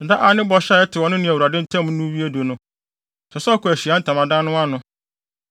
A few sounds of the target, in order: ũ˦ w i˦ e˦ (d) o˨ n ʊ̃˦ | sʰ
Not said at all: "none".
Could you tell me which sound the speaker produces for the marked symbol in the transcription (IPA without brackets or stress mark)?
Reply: d